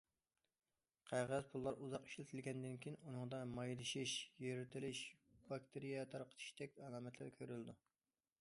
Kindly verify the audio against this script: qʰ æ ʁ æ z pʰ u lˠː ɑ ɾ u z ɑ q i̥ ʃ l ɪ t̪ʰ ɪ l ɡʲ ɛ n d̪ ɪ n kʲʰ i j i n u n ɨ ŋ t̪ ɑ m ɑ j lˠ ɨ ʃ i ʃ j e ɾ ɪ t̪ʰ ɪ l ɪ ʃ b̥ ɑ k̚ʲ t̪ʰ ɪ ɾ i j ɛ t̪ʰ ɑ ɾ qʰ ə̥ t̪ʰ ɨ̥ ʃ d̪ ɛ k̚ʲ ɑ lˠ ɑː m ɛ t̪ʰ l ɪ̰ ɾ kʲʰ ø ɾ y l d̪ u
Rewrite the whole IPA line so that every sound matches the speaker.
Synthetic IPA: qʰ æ ʁ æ z pʰ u lˠː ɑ ɾ u z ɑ q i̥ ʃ l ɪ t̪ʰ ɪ l ɡʲ ɛ n d̪ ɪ n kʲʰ i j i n u n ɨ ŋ d̪ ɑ m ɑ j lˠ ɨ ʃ i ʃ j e ɾ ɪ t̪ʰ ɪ l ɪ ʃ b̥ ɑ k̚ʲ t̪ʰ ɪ ɾ i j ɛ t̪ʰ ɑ ɾ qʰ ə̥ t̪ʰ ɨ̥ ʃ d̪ ɛ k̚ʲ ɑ lˠ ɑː m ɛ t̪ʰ l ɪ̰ ɾ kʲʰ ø ɾ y l d̪ u